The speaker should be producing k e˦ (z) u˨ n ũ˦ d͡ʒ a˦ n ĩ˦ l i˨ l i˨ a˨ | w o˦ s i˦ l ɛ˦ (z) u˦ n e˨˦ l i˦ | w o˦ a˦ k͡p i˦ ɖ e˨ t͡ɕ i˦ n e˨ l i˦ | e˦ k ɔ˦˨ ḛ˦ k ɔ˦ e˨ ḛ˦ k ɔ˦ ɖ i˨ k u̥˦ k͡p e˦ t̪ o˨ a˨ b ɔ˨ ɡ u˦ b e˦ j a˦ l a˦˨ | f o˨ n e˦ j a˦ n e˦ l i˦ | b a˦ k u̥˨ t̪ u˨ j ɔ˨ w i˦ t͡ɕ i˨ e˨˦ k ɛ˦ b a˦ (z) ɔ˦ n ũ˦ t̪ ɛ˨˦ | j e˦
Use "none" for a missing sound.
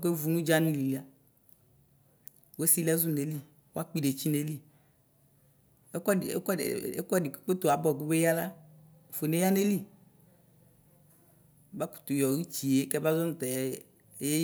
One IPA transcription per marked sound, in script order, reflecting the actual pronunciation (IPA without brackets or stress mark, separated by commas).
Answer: v, z, z